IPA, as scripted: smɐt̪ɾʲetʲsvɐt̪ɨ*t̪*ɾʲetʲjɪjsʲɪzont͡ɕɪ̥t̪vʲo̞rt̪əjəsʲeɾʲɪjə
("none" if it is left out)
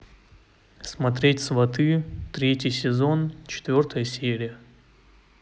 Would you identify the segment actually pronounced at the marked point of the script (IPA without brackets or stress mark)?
t̪